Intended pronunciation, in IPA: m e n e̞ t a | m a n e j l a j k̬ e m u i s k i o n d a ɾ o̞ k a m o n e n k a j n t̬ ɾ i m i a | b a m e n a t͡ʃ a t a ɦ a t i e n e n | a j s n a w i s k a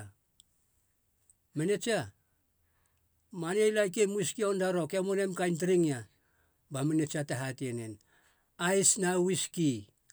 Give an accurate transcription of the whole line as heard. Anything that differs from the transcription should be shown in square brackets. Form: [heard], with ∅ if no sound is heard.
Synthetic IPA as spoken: m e n e̞ [t͡ʃ] a | m a n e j l a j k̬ e m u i s k i o n d a ɾ o̞ k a m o n e [m] k a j n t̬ ɾ i [ŋ] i a | b a m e n [e] t͡ʃ a t a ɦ a t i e n e n | a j s n a w i s k [i]